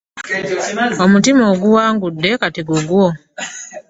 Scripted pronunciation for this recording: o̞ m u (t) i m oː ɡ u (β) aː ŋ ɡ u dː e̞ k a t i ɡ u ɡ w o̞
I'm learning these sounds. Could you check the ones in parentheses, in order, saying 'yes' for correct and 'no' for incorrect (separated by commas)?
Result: yes, no